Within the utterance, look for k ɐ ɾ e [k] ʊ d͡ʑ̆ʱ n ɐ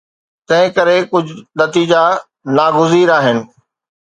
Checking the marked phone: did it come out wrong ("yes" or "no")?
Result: no